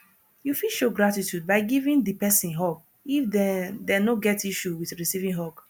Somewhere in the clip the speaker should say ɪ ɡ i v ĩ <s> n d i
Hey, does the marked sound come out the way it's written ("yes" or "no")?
no